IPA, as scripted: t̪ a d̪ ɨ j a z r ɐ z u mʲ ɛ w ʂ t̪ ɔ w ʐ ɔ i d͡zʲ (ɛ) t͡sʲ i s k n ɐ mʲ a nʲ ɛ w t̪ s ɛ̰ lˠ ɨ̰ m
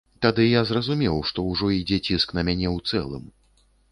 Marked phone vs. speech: correct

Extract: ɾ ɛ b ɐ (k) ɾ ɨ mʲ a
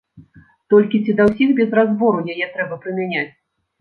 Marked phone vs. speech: incorrect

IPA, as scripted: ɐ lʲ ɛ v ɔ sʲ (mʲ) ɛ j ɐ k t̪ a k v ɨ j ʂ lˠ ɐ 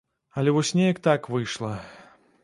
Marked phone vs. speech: incorrect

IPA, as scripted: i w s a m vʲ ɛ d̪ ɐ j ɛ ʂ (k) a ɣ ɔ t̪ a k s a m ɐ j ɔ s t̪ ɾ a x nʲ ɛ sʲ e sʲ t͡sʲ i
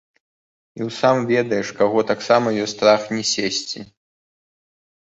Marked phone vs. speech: correct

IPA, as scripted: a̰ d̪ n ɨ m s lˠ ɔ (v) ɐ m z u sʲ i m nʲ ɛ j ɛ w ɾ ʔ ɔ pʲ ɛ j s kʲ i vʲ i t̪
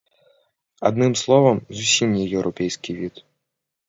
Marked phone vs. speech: correct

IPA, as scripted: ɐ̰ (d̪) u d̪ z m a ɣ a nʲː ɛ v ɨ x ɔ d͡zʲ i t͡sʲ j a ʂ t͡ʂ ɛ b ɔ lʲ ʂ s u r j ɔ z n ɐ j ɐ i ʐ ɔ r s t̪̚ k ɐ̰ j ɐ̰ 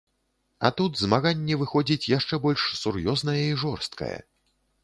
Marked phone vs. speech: incorrect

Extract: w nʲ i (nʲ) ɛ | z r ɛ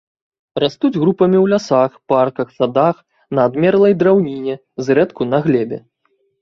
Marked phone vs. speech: correct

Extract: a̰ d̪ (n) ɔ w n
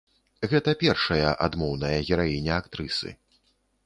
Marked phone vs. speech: incorrect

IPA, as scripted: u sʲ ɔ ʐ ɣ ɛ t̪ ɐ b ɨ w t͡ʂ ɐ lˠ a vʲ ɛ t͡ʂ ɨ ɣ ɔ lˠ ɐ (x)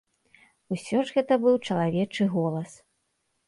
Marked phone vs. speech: incorrect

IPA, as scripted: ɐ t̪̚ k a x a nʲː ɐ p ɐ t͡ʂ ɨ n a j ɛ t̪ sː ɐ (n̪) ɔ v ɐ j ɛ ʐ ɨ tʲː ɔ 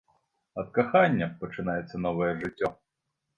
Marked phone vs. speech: correct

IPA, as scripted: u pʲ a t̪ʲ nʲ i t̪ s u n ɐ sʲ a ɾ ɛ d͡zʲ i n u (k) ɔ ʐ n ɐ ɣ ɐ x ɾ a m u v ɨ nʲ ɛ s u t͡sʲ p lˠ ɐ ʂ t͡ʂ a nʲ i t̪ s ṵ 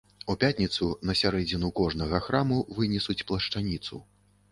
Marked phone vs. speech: correct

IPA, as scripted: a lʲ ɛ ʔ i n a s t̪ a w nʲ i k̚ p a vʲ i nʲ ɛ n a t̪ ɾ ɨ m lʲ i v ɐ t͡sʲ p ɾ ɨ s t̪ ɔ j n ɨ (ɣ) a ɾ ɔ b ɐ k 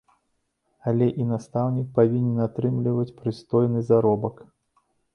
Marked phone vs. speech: incorrect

